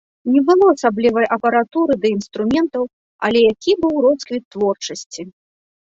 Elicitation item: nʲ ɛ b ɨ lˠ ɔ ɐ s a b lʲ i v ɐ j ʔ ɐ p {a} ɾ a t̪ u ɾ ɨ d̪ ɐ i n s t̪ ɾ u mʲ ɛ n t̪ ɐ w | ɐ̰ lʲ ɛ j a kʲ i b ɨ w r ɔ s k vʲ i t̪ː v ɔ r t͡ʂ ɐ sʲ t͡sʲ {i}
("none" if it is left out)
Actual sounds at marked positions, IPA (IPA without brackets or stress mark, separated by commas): ɐ, i